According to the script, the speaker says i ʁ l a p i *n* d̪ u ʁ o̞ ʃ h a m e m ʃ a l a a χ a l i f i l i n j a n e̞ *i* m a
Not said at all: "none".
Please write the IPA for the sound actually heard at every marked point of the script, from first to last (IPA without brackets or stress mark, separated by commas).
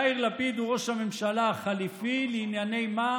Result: none, j